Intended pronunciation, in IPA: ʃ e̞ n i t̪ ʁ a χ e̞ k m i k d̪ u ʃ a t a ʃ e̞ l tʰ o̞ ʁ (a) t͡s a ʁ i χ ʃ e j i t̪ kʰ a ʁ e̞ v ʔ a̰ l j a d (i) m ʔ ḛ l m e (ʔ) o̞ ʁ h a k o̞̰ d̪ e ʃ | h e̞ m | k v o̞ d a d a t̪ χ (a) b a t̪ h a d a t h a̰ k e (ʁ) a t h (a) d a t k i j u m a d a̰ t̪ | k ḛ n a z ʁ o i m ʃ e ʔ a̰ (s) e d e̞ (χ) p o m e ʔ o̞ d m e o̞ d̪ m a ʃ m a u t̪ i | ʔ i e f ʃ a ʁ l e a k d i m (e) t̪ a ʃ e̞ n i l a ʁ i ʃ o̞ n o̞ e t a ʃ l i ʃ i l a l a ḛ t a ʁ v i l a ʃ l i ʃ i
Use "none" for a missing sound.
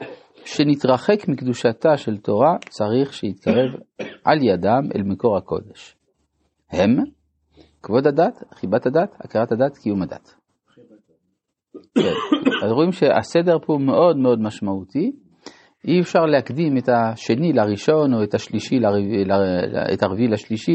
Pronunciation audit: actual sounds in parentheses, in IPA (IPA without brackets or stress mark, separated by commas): a, a, k, i, ʁ, a, s, ʁ, e